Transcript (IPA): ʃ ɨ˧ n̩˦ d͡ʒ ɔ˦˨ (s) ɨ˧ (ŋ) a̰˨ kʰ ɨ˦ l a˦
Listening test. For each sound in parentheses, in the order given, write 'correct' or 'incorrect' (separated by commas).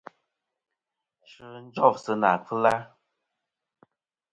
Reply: correct, incorrect